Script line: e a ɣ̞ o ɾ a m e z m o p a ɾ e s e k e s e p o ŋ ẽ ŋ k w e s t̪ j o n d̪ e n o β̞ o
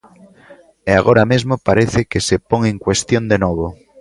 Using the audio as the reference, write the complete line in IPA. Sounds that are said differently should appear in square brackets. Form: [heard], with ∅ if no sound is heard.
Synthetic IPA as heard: e a ɣ̞ o ɾ a m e z m o p a ɾ e [θ] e k e s e p o ŋ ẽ ŋ k w e s t̪ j o n d̪ e n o β̞ o

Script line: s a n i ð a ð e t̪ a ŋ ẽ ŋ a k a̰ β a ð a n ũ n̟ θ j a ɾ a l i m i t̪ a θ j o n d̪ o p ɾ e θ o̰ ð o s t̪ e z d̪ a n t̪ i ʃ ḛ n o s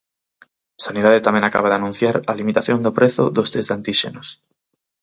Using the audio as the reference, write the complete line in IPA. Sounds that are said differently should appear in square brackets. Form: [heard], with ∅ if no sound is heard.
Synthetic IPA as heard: s a n i ð a ð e t̪ a [m] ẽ ŋ a k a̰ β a ð a n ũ n̟ θ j a ɾ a l i m i t̪ a θ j o n d̪ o p ɾ e θ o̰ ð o s t̪ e z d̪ a n t̪ i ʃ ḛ n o s

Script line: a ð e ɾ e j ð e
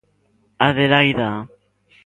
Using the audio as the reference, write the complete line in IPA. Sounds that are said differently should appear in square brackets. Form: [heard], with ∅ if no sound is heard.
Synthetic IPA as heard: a ð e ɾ [a] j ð [a]

